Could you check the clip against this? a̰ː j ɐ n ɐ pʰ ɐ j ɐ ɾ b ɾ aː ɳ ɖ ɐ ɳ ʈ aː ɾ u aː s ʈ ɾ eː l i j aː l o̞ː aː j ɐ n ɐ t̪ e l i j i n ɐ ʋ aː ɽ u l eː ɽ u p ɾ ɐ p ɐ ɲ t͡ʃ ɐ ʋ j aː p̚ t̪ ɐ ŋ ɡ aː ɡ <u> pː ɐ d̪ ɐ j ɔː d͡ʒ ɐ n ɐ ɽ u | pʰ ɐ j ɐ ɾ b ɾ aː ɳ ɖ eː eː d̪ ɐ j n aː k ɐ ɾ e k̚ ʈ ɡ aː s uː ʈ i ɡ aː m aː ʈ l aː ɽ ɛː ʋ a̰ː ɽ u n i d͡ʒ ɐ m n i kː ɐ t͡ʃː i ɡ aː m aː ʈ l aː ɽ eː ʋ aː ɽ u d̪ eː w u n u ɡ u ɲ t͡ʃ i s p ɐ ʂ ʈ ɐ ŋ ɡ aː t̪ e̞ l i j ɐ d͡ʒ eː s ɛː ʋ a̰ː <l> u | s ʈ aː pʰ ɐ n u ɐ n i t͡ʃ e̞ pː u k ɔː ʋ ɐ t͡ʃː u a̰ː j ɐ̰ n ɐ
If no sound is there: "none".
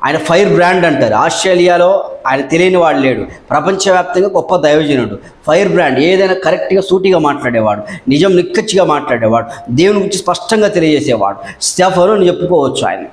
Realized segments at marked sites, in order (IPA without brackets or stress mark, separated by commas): ɔ, ɽ